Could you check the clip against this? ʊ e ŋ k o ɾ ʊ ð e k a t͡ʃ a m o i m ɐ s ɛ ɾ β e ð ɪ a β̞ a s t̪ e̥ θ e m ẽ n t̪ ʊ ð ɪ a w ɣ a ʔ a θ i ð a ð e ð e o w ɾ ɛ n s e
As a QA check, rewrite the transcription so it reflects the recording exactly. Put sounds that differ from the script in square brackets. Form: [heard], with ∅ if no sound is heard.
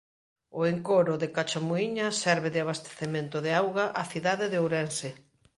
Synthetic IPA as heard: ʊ e ŋ k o ɾ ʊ ð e k a t͡ʃ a m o i [ɲ] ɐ s ɛ ɾ β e ð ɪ a β̞ a s t̪ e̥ θ e m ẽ n t̪ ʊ ð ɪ a w ɣ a ʔ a θ i ð a ð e ð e o w ɾ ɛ n s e